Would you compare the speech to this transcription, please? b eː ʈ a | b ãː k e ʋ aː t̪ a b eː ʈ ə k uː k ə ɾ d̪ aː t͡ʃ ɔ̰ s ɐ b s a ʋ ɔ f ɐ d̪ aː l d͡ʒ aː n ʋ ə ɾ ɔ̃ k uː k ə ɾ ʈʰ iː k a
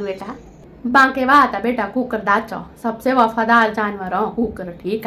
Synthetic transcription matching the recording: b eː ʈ a | b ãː k e ʋ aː t̪ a b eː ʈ a k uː k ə ɾ d̪ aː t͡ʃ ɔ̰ s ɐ b s e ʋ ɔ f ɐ d̪ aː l d͡ʒ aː n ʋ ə ɾ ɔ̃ k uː k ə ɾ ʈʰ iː k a